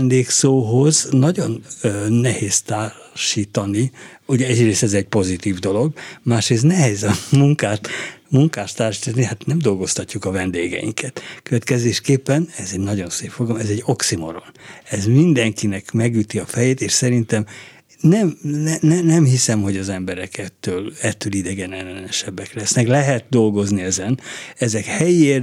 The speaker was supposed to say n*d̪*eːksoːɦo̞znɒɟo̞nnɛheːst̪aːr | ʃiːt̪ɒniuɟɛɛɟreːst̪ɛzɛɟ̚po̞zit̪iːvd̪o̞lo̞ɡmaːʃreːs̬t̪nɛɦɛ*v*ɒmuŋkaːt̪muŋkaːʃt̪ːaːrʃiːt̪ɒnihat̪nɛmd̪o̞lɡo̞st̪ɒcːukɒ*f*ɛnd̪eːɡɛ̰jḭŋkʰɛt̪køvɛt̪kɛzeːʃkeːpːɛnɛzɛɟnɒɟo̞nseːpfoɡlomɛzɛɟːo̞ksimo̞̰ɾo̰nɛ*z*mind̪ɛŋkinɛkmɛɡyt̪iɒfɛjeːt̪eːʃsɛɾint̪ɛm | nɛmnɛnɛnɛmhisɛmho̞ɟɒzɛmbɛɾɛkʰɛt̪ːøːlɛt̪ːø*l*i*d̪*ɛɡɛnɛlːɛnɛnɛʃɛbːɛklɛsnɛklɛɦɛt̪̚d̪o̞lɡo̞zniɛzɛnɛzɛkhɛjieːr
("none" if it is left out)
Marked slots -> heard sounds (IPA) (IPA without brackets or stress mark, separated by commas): d̪, z, v, z, l, d̪